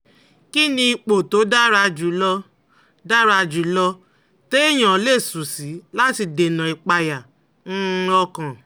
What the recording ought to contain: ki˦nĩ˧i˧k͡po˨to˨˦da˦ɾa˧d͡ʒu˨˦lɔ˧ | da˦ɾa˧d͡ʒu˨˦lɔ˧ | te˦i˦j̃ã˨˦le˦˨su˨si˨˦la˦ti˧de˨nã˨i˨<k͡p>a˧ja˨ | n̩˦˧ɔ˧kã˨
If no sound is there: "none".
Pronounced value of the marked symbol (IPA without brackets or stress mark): k͡p